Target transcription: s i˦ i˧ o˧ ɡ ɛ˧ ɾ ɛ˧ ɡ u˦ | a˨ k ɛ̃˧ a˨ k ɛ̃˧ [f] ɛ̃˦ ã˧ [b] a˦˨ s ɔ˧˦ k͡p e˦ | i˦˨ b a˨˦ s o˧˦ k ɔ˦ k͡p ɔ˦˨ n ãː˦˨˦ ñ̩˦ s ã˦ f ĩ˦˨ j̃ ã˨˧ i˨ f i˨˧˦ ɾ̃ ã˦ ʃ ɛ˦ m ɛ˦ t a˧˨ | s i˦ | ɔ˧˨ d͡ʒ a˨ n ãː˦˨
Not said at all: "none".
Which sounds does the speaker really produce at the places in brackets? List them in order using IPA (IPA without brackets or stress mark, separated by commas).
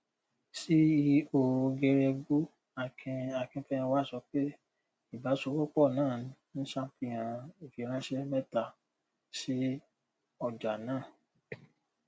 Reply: f, w